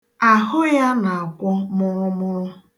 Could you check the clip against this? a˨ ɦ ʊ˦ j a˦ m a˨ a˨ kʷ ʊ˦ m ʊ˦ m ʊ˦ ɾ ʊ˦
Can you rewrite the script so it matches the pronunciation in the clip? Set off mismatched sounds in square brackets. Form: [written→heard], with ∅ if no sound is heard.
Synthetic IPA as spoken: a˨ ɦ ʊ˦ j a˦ [m→n] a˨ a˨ kʷ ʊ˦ m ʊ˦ m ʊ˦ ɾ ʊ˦

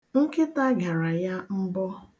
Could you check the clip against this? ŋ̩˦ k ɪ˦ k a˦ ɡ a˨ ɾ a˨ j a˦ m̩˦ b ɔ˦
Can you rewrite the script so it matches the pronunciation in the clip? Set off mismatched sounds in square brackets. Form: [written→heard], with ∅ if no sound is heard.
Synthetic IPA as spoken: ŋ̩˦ k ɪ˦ [k→t] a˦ ɡ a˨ ɾ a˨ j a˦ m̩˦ b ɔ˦

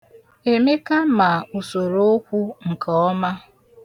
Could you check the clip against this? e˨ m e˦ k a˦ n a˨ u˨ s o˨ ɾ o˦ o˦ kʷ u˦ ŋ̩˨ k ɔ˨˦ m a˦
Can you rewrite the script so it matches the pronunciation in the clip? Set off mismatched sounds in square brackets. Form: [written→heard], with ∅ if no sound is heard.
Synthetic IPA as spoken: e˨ m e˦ k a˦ [n→m] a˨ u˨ s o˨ ɾ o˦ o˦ kʷ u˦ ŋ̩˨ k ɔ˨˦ m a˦

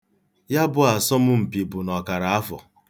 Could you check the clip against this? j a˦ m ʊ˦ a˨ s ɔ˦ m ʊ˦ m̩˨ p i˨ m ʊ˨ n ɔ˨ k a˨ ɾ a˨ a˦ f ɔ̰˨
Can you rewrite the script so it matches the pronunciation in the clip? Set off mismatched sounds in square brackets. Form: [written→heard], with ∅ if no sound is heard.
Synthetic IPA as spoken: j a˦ [m→b] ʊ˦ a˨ s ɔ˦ m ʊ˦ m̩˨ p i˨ [m→b] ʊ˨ n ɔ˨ k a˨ ɾ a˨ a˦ f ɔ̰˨

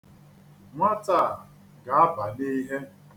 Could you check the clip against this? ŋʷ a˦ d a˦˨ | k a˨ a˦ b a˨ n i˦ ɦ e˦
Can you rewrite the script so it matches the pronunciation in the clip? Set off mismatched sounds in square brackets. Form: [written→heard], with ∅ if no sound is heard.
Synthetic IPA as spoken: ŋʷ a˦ [d→t] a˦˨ | [k→ɡ] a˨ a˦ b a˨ n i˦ ɦ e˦

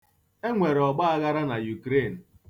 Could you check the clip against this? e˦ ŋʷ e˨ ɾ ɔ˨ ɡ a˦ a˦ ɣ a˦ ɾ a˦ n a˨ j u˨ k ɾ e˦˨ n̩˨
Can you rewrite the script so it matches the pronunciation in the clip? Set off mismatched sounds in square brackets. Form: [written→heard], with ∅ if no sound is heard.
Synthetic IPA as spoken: e˦ ŋʷ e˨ ɾ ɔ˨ [ɡ→ɡ͡b] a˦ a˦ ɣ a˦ ɾ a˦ n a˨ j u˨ k ɾ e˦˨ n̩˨

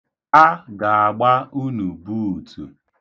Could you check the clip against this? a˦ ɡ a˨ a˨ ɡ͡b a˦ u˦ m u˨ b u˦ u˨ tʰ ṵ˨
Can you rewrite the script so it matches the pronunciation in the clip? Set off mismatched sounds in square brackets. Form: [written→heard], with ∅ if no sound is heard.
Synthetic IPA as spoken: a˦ ɡ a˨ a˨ ɡ͡b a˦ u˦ [m→n] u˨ b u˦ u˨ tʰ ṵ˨

